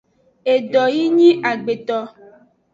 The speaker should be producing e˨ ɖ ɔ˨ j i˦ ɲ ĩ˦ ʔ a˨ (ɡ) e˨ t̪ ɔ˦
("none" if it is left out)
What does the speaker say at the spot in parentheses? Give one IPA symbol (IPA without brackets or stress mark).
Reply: ɡ͡b